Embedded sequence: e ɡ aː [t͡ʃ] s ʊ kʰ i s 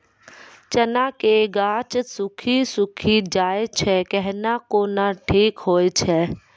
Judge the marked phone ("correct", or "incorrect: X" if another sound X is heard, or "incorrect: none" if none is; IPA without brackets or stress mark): correct